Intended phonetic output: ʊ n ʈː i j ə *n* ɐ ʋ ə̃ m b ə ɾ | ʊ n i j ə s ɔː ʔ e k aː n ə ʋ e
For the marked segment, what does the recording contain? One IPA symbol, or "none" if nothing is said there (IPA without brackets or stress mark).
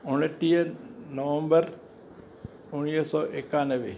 n